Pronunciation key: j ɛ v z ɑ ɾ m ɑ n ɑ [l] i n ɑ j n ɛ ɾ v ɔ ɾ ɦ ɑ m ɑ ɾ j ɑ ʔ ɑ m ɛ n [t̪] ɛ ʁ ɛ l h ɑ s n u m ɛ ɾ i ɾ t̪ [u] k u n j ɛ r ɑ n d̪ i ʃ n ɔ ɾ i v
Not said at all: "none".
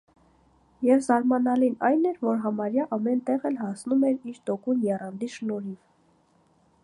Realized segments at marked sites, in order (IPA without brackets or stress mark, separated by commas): l, t̪, ɔ